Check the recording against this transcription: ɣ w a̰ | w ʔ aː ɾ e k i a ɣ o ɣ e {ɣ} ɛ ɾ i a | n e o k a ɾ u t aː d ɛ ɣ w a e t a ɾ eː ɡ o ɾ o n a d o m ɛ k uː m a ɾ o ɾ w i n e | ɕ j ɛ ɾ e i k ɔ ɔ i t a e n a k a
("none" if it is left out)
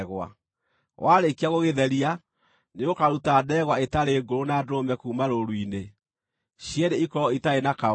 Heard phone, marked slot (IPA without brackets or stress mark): ð